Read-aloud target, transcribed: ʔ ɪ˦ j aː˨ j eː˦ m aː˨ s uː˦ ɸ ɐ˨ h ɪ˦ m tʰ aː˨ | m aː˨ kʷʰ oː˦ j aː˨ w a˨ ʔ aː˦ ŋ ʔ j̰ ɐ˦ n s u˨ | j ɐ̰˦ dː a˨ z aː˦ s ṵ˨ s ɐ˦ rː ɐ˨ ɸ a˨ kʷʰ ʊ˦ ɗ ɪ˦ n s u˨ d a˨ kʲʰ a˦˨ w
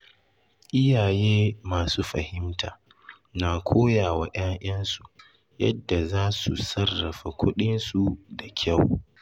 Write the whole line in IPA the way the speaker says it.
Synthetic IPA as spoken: ʔ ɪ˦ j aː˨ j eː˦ m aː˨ s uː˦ ɸ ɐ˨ h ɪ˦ m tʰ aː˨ | n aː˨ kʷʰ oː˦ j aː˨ w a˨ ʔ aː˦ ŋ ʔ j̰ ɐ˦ n s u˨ | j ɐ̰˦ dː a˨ z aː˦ s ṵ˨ s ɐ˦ rː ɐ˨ ɸ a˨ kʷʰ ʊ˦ ɗ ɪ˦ n s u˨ d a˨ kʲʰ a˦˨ w